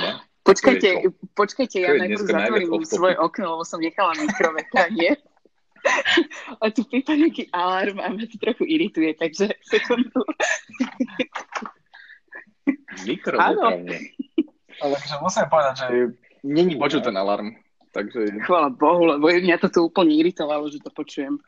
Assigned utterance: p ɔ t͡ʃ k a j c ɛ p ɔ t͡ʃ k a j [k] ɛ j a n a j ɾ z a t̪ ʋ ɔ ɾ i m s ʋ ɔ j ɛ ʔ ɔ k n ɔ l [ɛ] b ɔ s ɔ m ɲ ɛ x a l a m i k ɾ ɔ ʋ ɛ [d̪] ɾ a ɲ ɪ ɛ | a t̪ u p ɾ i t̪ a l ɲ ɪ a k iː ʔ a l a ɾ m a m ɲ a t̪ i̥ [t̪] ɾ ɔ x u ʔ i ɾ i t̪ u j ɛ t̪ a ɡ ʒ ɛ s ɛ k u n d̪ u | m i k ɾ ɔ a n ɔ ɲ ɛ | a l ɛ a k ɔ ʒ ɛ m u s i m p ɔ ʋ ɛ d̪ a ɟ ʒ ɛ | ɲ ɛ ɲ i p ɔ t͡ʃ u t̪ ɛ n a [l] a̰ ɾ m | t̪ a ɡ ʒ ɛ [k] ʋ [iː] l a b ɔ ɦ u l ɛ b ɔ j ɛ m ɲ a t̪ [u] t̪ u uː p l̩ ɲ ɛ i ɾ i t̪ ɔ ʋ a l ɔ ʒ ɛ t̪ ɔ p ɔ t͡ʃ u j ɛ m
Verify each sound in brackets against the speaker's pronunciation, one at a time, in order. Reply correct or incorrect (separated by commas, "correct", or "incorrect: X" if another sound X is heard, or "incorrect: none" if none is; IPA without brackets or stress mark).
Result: incorrect: c, correct, incorrect: t̪, correct, correct, incorrect: x, incorrect: aː, incorrect: ɔ